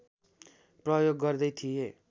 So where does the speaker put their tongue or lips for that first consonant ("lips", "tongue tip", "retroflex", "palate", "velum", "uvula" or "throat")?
lips